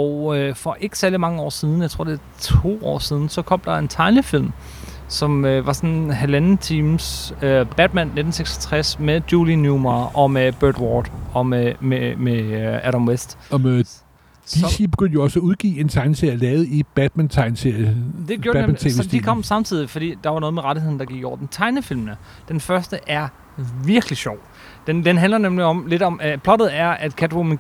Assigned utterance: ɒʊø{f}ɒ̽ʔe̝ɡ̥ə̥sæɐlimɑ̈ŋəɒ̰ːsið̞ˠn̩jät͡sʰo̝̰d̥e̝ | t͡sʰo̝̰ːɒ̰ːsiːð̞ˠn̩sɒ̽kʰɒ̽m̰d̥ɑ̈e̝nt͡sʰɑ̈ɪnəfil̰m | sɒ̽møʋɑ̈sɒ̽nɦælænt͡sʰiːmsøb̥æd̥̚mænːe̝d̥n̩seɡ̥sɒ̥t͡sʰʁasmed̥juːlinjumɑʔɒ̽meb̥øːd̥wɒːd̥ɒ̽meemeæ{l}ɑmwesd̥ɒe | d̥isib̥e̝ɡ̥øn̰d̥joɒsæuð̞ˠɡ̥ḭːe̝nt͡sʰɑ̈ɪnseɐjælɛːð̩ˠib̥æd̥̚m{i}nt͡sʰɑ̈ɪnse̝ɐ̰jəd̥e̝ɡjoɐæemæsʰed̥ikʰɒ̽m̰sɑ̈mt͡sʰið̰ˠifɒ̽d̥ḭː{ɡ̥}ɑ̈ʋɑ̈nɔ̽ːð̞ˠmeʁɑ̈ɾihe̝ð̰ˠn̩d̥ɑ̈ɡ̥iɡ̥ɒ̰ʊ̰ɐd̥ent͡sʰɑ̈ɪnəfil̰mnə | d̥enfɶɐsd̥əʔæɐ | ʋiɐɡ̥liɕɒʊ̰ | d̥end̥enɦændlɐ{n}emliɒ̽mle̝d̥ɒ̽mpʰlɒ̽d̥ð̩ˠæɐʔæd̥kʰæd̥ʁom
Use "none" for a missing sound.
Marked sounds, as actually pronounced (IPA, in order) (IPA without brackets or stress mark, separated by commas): f, ɾ, æ, d̥, n